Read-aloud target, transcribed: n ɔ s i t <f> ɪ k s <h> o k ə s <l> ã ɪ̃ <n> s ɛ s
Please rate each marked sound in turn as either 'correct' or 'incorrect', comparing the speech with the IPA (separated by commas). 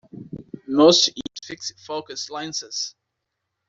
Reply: correct, incorrect, correct, correct